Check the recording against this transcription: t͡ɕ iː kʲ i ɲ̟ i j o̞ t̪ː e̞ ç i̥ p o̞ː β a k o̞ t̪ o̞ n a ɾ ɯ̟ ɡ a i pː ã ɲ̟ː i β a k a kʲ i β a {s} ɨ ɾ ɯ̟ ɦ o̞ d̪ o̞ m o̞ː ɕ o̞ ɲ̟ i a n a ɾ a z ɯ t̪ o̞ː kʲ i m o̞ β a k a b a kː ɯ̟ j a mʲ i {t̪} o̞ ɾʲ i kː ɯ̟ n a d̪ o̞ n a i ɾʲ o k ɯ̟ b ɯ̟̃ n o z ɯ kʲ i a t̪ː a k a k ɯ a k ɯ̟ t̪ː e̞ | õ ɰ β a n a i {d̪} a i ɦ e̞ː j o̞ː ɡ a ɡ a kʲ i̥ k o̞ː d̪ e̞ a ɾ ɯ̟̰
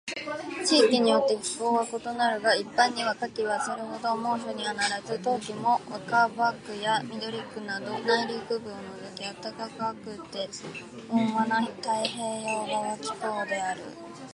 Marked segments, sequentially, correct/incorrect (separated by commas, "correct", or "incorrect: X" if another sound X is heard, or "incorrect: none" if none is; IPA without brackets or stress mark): correct, incorrect: d̪, incorrect: t̪